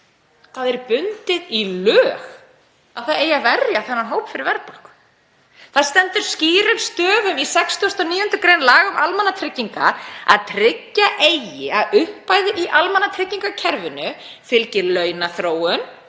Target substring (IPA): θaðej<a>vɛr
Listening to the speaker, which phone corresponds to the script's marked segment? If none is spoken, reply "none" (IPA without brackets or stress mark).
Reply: a